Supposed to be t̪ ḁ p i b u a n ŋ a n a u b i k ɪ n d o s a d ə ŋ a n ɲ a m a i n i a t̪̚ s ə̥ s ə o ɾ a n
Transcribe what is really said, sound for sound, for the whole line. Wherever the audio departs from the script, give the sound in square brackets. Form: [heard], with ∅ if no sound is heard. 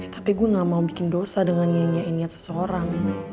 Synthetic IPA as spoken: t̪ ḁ p i [ɡ] u a [∅] ŋ a [m] a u b i k ɪ n d o s a d ə ŋ a n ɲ a [ɲ] a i n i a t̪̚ s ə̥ s ə o ɾ a [ŋ]